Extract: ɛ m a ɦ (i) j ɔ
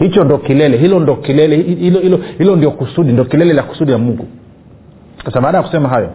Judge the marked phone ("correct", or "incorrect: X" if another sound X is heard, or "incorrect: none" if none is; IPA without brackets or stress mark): incorrect: a